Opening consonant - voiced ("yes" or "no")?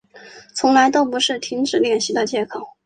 no